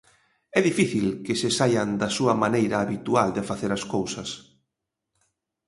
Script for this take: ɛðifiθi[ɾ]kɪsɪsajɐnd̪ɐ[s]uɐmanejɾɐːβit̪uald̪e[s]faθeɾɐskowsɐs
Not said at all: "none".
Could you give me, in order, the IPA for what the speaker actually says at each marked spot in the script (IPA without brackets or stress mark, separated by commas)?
l, s, none